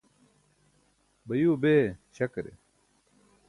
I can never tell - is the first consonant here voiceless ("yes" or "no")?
no